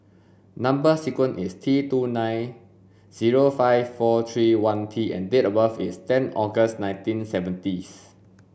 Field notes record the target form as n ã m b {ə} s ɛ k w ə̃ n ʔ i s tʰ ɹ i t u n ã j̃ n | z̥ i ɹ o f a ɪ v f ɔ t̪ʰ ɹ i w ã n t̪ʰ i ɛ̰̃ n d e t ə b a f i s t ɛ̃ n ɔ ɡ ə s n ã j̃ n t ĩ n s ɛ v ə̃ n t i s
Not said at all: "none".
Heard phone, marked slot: ə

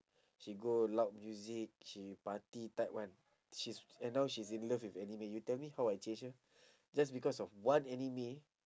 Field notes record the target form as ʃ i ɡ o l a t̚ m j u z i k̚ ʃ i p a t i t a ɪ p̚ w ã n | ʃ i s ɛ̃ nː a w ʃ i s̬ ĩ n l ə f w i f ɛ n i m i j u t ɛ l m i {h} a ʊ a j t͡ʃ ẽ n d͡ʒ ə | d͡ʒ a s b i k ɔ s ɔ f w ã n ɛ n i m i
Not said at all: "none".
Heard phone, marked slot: h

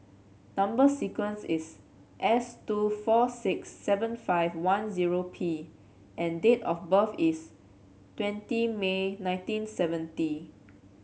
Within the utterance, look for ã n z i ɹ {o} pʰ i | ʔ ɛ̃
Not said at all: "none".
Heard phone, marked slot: o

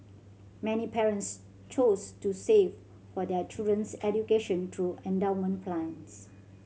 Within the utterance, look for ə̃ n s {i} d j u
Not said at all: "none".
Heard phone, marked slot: ɛ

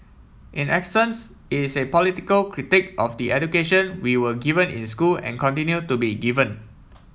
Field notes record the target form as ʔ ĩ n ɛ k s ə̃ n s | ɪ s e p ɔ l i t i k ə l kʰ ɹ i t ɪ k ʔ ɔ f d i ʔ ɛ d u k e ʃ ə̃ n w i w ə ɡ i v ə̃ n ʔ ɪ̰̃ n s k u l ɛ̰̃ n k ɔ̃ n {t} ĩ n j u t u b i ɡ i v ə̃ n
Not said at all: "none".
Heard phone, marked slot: t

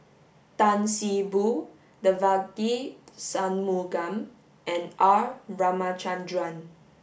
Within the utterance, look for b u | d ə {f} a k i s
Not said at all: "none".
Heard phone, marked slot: v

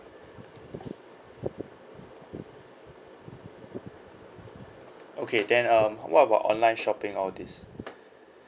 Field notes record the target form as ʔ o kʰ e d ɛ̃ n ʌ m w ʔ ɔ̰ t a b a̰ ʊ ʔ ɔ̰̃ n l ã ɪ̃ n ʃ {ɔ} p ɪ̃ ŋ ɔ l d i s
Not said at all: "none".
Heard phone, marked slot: ɔ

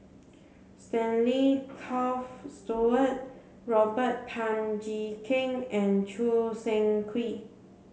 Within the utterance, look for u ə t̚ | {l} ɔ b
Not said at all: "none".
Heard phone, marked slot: ɹ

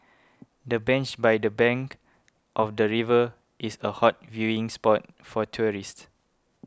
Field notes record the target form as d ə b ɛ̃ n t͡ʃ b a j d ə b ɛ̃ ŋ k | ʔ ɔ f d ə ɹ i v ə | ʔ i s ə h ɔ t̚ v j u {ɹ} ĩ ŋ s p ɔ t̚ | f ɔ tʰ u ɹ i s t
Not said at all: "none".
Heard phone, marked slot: none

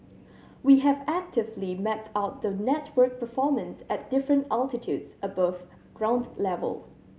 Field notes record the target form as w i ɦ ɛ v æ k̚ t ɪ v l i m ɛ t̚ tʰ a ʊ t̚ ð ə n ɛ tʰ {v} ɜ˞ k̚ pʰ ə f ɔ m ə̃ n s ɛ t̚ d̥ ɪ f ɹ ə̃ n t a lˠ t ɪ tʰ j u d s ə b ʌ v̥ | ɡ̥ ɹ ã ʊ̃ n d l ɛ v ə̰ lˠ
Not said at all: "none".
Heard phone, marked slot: w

